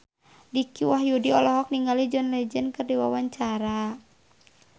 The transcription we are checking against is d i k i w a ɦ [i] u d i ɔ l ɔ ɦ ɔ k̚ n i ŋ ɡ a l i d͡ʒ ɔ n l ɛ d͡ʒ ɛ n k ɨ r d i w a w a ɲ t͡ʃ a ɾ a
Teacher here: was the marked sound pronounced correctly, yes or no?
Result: no